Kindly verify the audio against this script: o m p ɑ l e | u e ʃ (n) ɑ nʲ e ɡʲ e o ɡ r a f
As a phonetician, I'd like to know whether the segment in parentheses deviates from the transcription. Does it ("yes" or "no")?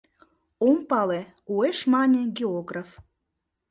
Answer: yes